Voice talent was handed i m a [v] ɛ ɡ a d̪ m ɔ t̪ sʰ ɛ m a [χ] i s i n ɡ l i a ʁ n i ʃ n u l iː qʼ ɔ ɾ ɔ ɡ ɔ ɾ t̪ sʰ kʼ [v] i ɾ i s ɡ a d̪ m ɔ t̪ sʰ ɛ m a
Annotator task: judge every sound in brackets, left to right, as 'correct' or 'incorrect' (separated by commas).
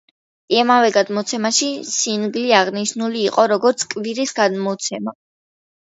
correct, incorrect, correct